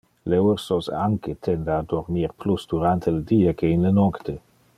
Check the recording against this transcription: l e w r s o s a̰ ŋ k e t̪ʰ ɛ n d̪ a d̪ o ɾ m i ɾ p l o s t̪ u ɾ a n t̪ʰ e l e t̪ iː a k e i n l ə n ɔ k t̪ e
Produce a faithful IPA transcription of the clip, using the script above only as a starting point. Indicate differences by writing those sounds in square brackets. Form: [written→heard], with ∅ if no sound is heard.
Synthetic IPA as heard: l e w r s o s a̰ ŋ k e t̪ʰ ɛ n d̪ a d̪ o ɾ m i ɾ p l [o→u] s [t̪→d̪] u ɾ a n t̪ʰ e l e [t̪→d̪] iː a k e i n l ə n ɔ k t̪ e